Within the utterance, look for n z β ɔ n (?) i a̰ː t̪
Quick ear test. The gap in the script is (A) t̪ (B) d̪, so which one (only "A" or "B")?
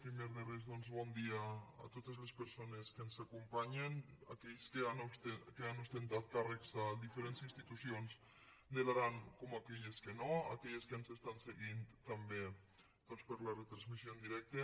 B